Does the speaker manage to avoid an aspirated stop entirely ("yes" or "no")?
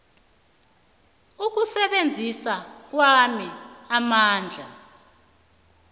yes